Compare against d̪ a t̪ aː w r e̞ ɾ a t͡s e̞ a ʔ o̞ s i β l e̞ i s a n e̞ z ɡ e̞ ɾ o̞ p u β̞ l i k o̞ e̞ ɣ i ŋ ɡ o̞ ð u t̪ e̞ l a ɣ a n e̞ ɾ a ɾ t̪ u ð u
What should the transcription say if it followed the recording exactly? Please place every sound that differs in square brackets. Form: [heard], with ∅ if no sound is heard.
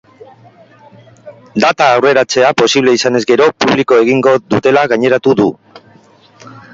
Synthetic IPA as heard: d̪ a t̪ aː w r e̞ ɾ a t͡s e̞ a [p] o̞ s i β l e̞ i s a n e̞ z ɡ e̞ ɾ o̞ p u β̞ l i k o̞ e̞ ɣ i ŋ ɡ o̞ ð u t̪ e̞ l a ɣ a [ɲ] e̞ ɾ a [∅] t̪ u ð u